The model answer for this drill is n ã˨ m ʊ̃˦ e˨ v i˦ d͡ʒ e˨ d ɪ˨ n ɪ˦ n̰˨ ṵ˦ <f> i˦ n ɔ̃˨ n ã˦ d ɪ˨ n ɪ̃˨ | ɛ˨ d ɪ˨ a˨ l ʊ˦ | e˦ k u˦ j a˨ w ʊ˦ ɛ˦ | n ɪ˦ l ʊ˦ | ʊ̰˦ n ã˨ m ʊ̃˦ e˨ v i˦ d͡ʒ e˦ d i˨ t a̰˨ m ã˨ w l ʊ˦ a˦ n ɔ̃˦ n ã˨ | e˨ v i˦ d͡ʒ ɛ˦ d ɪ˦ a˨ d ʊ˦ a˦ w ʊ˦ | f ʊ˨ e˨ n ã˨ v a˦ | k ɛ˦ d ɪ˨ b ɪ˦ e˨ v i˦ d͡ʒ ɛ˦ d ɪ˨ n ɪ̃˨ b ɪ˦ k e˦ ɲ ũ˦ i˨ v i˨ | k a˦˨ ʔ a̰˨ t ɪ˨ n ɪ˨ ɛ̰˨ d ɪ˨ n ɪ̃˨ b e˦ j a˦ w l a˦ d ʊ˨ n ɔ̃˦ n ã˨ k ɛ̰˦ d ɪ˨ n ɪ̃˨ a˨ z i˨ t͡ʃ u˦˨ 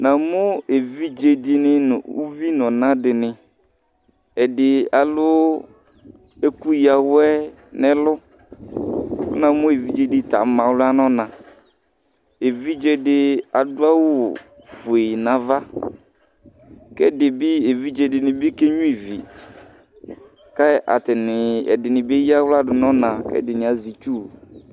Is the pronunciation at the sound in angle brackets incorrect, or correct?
incorrect